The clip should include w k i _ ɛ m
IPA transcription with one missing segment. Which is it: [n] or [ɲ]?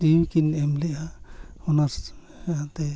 n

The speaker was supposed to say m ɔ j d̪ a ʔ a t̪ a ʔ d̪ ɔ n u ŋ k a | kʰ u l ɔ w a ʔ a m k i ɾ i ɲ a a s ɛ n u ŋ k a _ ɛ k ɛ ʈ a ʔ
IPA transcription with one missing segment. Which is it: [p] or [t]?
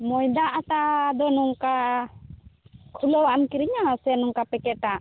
p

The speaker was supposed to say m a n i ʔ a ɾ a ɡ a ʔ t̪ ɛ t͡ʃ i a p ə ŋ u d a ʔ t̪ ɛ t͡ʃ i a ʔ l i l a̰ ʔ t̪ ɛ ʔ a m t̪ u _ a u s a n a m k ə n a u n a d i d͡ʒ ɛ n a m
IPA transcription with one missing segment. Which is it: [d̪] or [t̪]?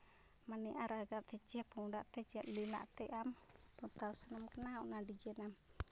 t̪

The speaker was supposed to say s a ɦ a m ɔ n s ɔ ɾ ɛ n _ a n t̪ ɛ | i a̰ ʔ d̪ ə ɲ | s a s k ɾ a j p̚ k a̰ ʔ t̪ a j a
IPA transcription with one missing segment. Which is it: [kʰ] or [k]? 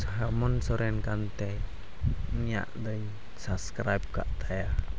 k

